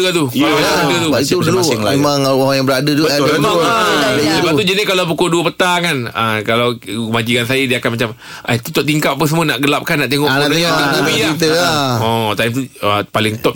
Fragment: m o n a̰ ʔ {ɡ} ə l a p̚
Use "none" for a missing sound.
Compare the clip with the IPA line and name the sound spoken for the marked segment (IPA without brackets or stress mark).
ɡ